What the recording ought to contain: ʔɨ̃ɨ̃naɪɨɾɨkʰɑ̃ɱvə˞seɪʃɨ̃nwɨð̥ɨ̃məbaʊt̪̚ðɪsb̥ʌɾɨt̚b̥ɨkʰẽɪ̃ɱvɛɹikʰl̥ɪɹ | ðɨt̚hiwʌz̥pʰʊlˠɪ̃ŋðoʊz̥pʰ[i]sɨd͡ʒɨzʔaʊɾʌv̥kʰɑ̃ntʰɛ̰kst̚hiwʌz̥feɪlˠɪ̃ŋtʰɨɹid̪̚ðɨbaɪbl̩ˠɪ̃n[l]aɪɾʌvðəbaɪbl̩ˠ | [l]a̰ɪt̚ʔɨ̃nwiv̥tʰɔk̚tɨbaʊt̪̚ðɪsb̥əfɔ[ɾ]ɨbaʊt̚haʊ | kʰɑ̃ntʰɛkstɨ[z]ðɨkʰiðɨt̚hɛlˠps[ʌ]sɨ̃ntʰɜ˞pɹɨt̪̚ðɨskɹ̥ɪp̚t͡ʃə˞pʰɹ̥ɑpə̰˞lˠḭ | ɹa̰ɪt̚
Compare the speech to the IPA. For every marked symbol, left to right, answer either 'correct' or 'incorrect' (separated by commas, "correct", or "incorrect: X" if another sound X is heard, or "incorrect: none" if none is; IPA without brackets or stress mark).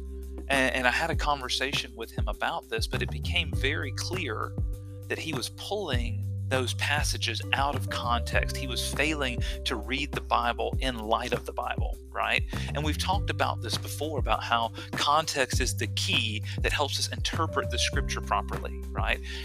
incorrect: æ, correct, incorrect: ɹ, incorrect: ɹ, correct, correct